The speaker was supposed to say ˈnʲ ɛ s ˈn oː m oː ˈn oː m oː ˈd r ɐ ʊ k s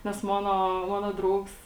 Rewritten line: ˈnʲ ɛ s ˈm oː n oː ˈm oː n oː ˈd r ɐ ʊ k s